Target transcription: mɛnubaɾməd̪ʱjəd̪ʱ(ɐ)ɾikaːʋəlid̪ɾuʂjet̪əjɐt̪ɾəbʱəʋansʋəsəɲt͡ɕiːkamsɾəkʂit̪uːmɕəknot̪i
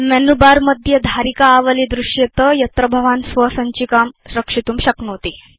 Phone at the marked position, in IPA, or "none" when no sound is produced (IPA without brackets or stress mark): a